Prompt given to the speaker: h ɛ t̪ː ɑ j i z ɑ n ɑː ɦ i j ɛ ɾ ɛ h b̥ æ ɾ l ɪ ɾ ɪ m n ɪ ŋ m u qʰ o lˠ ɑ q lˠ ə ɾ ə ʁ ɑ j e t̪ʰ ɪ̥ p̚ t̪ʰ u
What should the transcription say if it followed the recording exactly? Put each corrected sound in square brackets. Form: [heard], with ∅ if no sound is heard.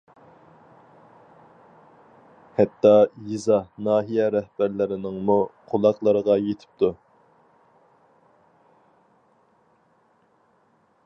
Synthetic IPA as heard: h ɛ t̪ː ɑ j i z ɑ n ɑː ɦ i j ɛ ɾ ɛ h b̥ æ ɾ l ɪ ɾ ɪ [∅] n ɪ ŋ m u qʰ o lˠ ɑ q lˠ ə ɾ ə ʁ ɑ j e t̪ʰ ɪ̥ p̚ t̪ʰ u